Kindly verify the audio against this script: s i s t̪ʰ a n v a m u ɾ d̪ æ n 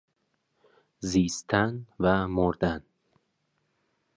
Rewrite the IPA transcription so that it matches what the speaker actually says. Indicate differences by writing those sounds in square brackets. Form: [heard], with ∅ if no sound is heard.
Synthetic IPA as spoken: [z] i s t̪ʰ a n v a m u ɾ d̪ [a] n